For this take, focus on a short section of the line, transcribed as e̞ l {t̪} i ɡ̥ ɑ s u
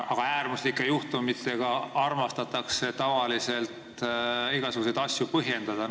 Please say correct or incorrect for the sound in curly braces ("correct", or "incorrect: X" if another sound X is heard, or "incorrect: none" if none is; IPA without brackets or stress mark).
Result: correct